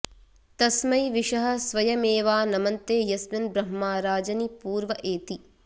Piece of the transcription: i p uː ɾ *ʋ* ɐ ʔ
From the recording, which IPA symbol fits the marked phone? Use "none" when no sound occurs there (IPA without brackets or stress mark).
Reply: ʋ